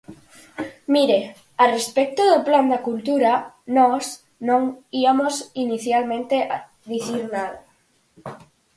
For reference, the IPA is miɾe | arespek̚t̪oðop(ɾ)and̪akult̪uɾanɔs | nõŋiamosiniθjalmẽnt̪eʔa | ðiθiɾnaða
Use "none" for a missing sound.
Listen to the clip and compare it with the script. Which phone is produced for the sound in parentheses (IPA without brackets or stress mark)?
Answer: l